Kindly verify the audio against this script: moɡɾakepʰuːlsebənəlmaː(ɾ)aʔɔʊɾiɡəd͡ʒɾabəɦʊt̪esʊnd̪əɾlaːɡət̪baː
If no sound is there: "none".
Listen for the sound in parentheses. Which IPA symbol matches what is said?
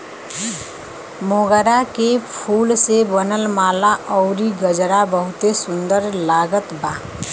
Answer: l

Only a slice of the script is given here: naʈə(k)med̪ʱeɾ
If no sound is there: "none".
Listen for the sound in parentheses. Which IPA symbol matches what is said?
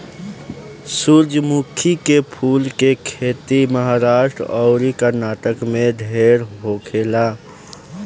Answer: k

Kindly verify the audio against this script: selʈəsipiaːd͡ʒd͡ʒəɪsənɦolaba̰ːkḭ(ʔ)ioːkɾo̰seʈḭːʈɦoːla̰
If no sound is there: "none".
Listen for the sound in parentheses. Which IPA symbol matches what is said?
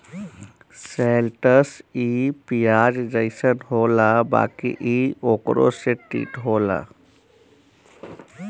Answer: ʔ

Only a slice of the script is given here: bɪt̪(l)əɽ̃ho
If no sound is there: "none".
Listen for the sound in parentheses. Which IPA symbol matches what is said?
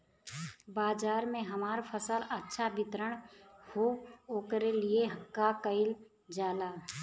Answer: ɾ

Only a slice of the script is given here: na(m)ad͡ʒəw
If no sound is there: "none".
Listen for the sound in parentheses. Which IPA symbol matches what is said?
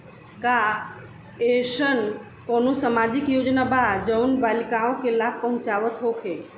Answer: b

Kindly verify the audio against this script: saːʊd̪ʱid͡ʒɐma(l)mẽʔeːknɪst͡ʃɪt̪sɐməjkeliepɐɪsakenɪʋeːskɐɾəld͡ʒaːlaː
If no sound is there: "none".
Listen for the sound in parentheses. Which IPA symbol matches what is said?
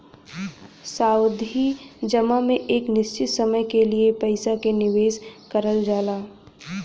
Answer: none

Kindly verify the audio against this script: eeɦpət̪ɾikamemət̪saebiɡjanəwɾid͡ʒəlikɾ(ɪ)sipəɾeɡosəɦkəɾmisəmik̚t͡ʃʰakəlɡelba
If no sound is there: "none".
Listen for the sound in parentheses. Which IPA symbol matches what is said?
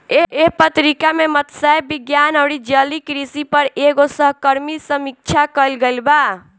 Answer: i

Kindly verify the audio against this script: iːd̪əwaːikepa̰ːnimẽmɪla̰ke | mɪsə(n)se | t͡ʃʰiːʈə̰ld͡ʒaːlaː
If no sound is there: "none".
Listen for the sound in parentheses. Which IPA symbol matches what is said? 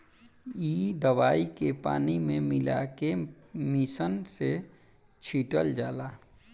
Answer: n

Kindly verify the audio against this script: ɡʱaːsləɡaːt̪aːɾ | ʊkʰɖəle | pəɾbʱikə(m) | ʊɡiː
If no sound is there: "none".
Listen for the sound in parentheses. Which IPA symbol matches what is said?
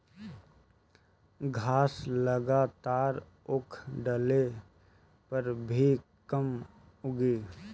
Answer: m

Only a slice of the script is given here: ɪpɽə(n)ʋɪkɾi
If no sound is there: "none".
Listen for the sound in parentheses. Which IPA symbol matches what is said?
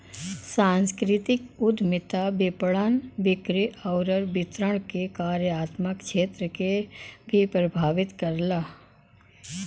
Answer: n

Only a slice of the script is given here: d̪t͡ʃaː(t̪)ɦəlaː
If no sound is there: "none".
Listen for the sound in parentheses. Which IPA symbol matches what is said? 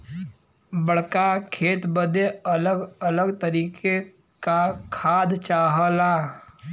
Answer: none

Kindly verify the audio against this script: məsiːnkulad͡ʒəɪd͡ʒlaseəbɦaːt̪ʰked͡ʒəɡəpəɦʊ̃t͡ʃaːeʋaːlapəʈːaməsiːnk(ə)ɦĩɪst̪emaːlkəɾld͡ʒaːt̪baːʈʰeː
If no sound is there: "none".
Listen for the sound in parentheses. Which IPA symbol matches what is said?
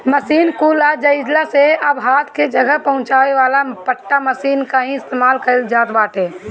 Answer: a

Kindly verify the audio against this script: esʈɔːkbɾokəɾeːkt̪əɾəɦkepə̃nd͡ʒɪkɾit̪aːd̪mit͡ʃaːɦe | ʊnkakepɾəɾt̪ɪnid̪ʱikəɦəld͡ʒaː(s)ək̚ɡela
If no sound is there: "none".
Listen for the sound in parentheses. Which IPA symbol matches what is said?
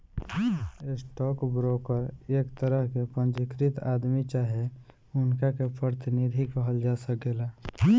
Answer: s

